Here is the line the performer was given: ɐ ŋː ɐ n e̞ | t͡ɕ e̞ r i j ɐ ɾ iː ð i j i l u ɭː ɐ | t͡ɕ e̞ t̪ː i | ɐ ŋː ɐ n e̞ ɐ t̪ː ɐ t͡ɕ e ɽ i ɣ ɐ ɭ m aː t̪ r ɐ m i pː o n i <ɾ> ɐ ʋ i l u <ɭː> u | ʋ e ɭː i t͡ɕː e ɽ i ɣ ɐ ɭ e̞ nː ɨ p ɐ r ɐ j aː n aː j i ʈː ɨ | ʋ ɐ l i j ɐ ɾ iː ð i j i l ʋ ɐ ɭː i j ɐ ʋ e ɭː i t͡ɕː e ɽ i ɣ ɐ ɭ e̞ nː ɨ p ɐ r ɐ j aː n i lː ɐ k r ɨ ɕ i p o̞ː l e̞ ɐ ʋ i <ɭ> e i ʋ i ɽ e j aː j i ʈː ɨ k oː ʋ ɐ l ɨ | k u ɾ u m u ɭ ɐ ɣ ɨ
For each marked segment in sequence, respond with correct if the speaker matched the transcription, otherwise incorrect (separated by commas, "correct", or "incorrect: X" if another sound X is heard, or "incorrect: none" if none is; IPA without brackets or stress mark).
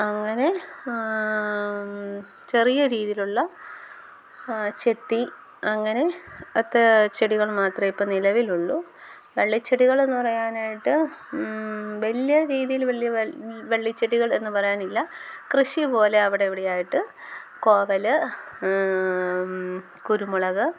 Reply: incorrect: l, correct, incorrect: ɽ